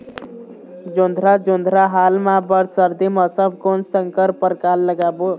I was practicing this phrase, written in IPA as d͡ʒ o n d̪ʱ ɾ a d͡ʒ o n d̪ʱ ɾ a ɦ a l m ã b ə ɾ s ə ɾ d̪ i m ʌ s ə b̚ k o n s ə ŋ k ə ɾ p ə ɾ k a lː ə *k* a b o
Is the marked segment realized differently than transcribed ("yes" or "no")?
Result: yes